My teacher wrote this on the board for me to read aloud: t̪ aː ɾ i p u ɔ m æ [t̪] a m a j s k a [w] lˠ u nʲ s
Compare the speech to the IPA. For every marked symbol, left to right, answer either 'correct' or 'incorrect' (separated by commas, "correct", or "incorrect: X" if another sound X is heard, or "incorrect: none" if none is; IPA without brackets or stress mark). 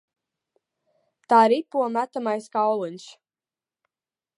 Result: correct, correct